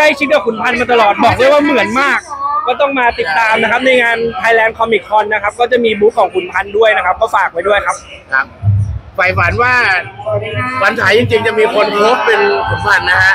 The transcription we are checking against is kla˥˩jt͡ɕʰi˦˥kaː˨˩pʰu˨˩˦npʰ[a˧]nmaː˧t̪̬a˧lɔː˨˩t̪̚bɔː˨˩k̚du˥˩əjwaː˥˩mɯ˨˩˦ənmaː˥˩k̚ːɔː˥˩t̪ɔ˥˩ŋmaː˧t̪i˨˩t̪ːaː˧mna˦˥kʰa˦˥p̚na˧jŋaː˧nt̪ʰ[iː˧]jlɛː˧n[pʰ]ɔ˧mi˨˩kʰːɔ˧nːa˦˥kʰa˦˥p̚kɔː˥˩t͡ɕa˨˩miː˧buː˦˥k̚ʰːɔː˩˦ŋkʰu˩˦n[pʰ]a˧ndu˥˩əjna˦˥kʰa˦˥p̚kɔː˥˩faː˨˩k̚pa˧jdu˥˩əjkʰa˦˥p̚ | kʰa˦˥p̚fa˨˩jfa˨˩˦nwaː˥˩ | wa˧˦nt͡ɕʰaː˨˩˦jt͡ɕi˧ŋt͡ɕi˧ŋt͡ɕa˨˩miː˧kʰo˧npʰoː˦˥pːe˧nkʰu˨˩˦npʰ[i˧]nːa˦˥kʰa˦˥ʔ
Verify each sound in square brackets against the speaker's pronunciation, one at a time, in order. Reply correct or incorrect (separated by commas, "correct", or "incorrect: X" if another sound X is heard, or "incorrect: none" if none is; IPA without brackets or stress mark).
correct, incorrect: aː˧, incorrect: kʰ, correct, incorrect: a˧